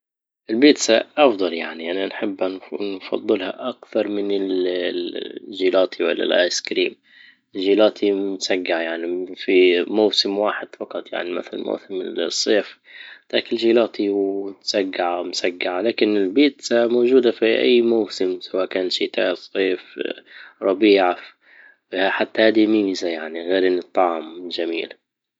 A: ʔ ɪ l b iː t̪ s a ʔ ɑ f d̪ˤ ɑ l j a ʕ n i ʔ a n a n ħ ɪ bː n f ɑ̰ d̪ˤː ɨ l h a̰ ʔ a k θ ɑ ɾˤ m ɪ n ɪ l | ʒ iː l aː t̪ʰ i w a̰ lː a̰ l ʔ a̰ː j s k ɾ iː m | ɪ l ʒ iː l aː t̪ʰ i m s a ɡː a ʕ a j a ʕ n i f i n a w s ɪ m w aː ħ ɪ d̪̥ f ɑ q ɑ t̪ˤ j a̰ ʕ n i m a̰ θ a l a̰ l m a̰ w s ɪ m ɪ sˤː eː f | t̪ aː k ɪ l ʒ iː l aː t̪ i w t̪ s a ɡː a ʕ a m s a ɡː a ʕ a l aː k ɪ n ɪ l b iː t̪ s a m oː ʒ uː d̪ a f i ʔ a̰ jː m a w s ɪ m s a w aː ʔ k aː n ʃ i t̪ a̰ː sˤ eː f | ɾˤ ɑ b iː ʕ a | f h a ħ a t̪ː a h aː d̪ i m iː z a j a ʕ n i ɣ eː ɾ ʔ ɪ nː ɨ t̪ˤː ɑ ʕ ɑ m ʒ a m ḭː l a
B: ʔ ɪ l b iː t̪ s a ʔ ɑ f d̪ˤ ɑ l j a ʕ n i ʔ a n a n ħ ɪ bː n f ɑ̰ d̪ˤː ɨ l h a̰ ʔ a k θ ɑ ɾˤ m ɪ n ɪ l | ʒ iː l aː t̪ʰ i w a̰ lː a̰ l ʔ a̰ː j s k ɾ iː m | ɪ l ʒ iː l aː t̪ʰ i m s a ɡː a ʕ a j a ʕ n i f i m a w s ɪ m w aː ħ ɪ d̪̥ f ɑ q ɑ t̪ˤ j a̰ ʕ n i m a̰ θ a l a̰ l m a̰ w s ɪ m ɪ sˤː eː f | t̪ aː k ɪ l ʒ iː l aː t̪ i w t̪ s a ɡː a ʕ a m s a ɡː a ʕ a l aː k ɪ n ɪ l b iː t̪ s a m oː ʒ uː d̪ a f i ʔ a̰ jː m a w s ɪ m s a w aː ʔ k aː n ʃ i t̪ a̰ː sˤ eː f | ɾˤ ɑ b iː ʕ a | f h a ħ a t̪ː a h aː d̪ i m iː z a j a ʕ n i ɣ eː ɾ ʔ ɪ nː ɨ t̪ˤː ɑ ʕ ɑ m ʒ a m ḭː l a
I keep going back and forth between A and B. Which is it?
B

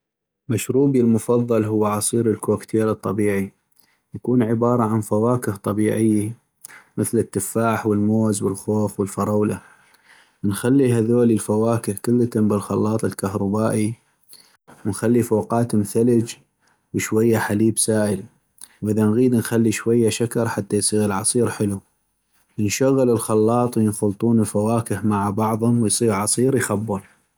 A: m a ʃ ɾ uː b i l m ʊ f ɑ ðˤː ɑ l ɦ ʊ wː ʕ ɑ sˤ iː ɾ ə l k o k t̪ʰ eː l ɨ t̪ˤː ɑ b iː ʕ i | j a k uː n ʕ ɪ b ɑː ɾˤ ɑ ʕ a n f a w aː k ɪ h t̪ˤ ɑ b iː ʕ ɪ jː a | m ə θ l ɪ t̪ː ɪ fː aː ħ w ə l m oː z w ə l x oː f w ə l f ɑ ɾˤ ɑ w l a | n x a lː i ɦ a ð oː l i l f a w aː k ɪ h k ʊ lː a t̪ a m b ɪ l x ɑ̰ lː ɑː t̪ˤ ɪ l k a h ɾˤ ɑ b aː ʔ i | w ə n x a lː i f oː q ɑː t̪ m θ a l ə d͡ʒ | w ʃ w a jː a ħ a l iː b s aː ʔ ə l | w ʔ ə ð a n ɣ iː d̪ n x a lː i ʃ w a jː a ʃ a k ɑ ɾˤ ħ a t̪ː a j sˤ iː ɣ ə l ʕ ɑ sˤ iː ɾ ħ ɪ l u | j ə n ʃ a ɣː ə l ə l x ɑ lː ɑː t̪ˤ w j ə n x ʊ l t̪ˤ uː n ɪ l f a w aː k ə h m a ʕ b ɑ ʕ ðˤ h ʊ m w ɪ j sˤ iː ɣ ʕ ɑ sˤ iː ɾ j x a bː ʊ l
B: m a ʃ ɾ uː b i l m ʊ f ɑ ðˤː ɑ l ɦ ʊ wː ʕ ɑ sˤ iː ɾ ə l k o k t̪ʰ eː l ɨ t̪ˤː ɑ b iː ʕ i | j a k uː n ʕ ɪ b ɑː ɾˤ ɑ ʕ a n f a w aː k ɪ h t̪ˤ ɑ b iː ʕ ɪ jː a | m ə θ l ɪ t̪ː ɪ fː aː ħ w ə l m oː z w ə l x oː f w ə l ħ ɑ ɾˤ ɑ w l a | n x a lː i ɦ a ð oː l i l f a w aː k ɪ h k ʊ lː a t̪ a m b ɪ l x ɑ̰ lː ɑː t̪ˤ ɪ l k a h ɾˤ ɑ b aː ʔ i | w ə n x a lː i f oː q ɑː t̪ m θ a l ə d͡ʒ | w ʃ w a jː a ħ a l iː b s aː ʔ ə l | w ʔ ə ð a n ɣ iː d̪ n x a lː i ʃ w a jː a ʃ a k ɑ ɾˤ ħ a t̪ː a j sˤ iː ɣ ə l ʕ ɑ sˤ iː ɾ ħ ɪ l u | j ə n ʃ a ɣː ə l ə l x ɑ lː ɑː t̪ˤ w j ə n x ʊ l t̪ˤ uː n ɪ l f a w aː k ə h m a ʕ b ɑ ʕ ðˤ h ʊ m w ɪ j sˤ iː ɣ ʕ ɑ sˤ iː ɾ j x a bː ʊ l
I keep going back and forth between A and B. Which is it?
A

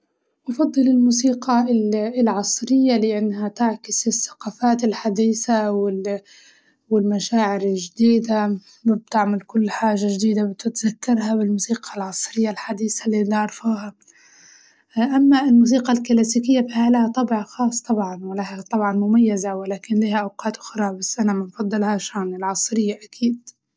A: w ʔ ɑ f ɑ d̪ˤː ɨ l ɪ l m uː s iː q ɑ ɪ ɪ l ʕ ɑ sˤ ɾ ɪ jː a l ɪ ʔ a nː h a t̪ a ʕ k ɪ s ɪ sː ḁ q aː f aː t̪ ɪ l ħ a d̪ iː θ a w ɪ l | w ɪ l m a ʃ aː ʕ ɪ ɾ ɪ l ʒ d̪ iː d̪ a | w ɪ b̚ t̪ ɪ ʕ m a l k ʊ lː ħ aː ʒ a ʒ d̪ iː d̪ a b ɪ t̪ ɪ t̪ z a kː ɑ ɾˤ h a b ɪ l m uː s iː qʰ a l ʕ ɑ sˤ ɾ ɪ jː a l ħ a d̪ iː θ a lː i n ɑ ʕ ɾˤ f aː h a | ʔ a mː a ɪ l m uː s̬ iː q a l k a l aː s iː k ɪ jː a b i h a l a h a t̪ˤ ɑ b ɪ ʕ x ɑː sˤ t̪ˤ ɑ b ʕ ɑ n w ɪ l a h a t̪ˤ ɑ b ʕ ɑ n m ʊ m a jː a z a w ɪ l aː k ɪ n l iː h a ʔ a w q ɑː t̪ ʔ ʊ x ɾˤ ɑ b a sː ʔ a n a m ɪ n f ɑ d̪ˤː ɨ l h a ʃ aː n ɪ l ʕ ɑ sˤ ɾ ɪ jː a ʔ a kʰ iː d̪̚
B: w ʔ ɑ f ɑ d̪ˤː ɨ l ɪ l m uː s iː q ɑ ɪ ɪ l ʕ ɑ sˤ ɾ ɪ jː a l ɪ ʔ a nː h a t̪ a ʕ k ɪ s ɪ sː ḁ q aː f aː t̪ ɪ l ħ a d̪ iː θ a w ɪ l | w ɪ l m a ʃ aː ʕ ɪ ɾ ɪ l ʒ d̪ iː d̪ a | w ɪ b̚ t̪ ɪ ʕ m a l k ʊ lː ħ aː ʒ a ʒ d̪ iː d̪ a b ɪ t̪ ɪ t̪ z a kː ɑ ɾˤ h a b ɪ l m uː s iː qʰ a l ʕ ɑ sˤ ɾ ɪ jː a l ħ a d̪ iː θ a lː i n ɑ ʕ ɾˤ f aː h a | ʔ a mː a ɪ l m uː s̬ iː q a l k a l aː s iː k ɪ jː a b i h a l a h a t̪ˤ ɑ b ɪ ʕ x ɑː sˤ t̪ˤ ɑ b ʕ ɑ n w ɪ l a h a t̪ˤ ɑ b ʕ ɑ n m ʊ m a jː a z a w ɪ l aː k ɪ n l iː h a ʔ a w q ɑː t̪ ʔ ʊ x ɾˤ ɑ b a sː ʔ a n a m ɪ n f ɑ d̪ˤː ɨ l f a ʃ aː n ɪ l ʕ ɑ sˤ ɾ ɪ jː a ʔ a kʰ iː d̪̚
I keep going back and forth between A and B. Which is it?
A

